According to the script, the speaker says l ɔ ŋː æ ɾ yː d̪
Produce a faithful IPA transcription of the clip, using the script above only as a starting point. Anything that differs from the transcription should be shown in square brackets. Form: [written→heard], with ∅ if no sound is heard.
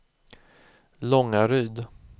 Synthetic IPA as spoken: l ɔ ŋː [æ→a] ɾ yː d̪